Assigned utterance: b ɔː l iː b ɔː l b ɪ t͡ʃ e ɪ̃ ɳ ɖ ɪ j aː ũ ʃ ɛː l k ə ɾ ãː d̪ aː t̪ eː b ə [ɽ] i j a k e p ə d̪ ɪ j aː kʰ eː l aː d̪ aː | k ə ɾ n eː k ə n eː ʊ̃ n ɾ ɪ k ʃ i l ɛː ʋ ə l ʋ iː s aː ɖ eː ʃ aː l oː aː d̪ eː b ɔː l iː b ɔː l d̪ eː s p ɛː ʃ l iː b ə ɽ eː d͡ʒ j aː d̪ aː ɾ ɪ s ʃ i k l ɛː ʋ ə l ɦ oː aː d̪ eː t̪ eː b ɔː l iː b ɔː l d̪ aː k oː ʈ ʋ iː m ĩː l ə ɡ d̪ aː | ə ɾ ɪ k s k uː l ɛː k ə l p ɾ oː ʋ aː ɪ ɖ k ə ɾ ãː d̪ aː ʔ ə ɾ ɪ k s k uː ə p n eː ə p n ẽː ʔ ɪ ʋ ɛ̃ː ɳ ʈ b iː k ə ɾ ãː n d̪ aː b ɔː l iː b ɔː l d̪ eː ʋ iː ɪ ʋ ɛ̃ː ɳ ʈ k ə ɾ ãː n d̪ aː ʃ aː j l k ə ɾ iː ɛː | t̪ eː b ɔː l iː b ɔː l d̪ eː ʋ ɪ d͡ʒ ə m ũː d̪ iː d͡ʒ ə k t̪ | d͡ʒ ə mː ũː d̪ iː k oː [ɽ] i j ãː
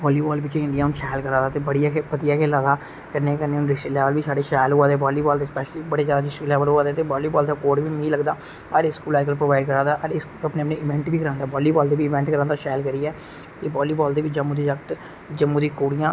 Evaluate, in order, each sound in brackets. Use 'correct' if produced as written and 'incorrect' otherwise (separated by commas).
correct, correct